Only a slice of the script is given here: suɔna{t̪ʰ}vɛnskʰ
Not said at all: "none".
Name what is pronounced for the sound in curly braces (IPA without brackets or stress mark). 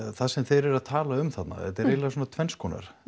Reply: t̪ʰ